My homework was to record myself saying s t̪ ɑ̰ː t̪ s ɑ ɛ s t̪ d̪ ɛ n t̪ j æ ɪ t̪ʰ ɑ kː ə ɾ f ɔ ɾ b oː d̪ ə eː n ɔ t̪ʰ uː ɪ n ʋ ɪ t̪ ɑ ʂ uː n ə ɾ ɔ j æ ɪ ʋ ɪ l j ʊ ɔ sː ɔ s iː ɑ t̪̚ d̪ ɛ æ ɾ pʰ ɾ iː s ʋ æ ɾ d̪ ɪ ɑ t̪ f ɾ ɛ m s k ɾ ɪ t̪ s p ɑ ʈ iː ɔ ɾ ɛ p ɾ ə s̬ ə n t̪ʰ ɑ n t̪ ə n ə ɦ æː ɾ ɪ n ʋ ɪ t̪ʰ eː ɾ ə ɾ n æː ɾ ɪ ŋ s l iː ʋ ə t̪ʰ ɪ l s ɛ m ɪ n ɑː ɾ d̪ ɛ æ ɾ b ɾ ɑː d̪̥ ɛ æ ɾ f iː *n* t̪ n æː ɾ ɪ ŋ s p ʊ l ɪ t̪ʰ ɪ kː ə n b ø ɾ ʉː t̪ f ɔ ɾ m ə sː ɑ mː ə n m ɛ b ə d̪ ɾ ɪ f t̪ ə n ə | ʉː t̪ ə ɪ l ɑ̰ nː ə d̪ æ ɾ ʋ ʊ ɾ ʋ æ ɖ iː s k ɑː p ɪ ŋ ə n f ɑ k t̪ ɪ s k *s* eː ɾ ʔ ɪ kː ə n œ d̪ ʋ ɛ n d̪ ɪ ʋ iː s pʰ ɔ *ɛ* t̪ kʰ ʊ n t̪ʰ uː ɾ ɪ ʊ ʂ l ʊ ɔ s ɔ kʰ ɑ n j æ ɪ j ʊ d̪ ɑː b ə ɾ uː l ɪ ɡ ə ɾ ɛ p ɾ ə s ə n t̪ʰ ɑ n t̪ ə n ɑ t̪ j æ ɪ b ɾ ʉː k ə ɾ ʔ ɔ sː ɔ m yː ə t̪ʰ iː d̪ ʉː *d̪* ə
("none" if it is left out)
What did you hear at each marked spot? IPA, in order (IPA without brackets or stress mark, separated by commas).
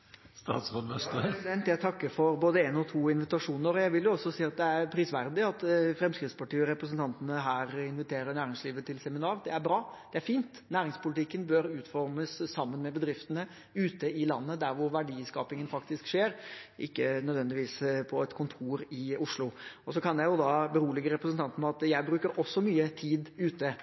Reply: n, ʂ, ɛ, t̪